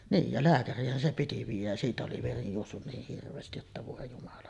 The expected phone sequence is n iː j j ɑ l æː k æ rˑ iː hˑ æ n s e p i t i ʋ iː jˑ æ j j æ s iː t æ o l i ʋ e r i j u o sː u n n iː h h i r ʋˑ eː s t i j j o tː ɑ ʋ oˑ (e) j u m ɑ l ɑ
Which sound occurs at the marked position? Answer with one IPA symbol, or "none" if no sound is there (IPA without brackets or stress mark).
e